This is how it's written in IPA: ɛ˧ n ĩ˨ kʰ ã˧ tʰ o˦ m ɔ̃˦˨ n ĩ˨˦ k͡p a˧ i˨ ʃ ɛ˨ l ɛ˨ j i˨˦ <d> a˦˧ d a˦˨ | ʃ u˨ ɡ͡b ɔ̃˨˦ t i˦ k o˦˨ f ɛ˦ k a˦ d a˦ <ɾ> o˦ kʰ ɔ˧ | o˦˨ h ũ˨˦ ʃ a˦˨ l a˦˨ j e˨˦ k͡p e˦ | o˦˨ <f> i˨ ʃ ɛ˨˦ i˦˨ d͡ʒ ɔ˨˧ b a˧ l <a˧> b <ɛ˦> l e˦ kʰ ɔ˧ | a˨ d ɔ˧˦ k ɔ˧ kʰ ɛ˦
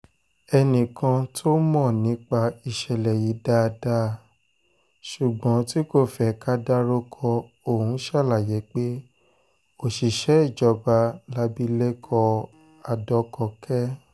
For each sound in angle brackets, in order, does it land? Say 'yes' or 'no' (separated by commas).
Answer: yes, yes, no, yes, no